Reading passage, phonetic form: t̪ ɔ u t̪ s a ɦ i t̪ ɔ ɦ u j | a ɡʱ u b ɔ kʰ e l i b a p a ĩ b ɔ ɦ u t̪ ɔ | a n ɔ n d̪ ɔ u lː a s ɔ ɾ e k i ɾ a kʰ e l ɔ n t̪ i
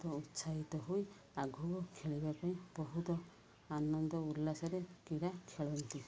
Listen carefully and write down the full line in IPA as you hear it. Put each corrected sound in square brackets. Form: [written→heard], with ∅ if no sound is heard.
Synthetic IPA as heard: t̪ ɔ u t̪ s a ɦ i t̪ ɔ ɦ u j | a ɡʱ u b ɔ kʰ e [l→ɭ] i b a p a ĩ b ɔ ɦ u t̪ ɔ | a n ɔ n d̪ ɔ u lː a s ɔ ɾ e k i ɾ a kʰ e [l→ɭ] ɔ n t̪ i

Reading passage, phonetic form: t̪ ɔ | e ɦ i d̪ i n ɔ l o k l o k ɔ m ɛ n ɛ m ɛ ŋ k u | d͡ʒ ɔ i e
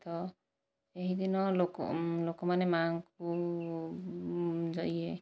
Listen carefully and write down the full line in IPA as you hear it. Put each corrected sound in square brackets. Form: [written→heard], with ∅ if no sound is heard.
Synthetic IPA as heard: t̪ ɔ | e ɦ i d̪ i n ɔ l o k l o k ɔ m [ɛ→a] n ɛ m [ɛ→a] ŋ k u | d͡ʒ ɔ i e

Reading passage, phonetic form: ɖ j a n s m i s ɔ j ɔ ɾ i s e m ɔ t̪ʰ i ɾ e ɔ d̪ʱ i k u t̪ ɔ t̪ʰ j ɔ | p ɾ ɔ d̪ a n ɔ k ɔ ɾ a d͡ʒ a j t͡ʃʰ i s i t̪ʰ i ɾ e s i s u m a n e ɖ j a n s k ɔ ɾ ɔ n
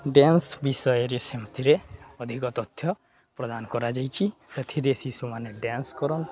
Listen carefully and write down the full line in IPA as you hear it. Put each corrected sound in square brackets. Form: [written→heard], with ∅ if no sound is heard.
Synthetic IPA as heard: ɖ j a n s [m→b] i s ɔ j ɔ ɾ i s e m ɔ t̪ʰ i ɾ e ɔ d̪ʱ i k [u→ɔ] t̪ ɔ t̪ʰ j ɔ | p ɾ ɔ d̪ a n ɔ k ɔ ɾ a d͡ʒ a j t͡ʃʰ i s [i→e] t̪ʰ i ɾ e s i s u m a n e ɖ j a n s k ɔ ɾ ɔ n

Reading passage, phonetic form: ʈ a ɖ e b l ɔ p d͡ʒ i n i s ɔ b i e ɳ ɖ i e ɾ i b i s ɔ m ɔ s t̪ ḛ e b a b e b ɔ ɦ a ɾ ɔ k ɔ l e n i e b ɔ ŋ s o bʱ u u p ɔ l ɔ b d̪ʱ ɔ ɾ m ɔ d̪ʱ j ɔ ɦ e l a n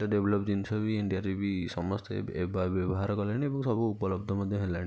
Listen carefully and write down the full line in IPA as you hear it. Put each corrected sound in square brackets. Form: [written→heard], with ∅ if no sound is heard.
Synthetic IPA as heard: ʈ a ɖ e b l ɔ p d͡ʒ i n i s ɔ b i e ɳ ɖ i [e→a] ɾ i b i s ɔ m ɔ s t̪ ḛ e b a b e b ɔ ɦ a ɾ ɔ k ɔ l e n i e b ɔ ŋ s [o→ɔ] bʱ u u p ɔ l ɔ b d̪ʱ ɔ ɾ m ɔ d̪ʱ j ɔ ɦ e l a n

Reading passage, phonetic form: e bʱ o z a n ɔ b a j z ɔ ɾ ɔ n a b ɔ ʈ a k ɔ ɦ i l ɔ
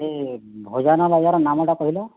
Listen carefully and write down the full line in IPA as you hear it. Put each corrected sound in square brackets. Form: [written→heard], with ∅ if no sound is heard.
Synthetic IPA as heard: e bʱ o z a n ɔ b a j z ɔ ɾ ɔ n a [b→m] ɔ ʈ a k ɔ ɦ i l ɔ

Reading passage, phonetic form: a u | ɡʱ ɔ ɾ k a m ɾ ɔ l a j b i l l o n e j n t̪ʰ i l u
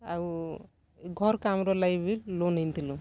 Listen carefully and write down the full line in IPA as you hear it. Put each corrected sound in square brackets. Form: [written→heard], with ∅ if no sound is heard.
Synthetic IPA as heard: a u | ɡʱ ɔ ɾ k a m ɾ ɔ l a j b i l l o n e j n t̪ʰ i l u

